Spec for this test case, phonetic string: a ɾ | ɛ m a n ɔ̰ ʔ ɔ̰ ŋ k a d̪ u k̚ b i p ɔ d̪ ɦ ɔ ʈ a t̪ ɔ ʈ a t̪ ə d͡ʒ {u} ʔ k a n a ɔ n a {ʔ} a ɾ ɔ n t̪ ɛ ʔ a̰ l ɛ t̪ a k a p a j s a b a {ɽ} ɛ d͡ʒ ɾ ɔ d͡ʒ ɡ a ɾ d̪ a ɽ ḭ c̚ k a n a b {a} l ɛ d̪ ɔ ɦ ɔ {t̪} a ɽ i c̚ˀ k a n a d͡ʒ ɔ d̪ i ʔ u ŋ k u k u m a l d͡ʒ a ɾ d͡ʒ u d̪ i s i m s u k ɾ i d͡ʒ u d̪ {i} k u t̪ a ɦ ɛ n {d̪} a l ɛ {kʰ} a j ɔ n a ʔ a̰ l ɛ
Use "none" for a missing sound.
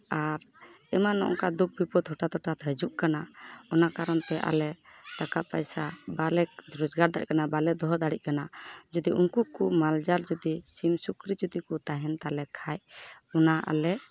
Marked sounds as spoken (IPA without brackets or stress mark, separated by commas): u, k, l, a, d̪, i, t̪, kʰ